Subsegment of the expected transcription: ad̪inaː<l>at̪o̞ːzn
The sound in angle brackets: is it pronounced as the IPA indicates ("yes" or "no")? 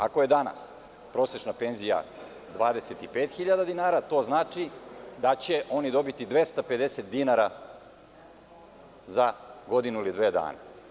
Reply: no